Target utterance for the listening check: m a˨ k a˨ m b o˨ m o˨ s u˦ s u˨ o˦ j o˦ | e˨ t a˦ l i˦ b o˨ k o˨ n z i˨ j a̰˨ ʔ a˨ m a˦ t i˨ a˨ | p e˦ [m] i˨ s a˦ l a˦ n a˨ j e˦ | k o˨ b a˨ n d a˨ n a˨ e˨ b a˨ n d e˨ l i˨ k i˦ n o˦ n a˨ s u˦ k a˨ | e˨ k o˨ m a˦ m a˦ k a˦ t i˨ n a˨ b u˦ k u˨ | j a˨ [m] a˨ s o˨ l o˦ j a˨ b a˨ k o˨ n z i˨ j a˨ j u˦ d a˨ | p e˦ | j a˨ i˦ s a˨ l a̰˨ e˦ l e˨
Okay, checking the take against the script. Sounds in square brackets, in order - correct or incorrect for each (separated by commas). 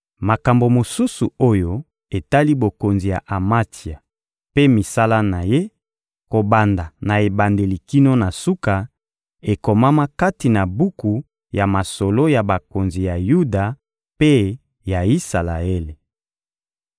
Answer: correct, correct